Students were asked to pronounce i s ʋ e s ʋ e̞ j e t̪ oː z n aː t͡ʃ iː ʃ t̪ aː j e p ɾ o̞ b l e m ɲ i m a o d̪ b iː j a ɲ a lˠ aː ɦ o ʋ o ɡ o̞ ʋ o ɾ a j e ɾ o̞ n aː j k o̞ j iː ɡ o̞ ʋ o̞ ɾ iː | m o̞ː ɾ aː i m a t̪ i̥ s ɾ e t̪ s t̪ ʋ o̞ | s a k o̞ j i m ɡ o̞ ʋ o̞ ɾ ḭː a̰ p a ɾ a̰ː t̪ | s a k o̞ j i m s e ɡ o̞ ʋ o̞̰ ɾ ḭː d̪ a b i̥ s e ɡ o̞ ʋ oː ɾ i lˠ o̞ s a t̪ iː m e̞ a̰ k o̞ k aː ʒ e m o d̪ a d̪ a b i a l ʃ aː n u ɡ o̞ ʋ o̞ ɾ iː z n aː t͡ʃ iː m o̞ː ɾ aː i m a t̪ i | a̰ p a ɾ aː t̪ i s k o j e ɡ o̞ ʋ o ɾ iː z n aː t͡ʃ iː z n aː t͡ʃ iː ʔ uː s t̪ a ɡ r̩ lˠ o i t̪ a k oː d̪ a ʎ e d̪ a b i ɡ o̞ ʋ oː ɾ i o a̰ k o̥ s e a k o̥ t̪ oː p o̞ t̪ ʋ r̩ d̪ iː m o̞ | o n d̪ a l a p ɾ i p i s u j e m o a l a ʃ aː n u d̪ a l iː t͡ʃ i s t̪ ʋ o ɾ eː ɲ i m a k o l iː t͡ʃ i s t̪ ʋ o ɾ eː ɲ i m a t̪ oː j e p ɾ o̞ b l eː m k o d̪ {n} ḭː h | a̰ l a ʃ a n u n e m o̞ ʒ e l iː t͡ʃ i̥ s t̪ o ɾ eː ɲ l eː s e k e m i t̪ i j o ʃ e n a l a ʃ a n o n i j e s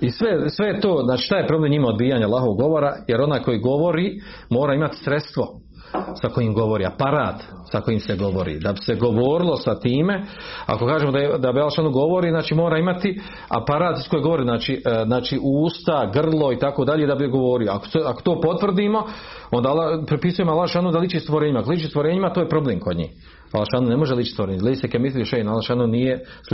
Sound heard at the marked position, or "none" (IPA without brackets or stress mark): ɲ